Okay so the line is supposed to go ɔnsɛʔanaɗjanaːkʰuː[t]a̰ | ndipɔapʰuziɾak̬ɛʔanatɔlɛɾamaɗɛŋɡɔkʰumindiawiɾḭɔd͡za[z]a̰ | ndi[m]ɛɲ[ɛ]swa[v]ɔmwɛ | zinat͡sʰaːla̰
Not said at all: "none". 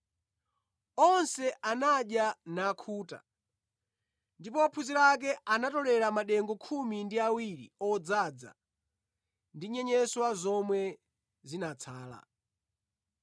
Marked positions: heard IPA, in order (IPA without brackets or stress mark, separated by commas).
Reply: t, d͡z, ɲ, ɛ, z